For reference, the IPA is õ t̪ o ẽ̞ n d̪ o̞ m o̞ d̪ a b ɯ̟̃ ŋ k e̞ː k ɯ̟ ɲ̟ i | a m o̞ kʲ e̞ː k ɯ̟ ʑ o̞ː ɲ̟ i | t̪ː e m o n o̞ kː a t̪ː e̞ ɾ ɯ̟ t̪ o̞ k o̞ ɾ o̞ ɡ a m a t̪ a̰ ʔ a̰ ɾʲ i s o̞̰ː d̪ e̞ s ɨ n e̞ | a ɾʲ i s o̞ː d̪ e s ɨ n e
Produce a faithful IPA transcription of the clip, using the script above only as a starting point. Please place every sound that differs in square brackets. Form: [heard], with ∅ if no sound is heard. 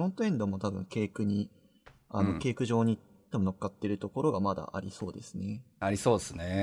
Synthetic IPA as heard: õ t̪ o ẽ̞ n d̪ o̞ m o̞ [t̪] a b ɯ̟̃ ŋ k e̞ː k ɯ̟ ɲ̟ i | a [n] o̞ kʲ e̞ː k ɯ̟ ʑ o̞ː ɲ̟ i | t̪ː e m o n o̞ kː a t̪ː e̞ ɾ ɯ̟ t̪ o̞ k o̞ ɾ o̞ ɡ a m a [d̪] a̰ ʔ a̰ ɾʲ i s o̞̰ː d̪ e̞ s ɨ n e̞ | a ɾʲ i s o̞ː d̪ e s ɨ n e